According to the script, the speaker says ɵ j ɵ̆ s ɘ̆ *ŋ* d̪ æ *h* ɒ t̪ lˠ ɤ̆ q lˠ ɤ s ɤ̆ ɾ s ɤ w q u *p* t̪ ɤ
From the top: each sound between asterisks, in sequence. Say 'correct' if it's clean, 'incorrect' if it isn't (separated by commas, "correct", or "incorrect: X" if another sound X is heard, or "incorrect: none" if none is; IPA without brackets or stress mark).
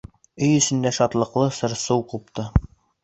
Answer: incorrect: n, incorrect: ʃ, correct